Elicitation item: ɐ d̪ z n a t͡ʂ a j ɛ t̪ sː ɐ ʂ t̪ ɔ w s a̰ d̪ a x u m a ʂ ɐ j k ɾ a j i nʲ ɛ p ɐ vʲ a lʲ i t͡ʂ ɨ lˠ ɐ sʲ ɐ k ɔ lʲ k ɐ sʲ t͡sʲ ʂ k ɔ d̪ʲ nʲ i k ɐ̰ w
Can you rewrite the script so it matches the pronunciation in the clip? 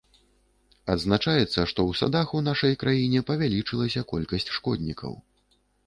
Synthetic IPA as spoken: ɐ d̪ z n a t͡ʂ a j ɛ t̪ sː ɐ ʂ t̪ ɔ w s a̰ d̪ a x u n a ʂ ɐ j k ɾ a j i nʲ ɛ p ɐ vʲ a lʲ i t͡ʂ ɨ lˠ ɐ sʲ ɐ k ɔ lʲ k ɐ sʲ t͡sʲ ʂ k ɔ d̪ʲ nʲ i k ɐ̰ w